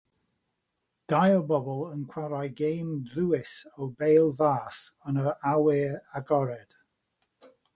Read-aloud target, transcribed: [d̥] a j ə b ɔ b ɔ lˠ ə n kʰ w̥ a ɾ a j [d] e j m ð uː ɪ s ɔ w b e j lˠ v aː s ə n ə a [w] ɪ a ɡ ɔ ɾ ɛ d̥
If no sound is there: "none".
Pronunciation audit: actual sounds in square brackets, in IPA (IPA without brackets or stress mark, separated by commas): d̥, ɡ, w